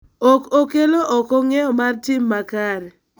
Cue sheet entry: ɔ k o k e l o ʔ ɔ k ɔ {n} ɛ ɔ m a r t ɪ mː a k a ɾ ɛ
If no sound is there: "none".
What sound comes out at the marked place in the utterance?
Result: ŋ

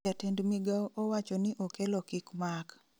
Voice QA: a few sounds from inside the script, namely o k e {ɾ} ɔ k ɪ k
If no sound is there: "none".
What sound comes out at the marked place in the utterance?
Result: l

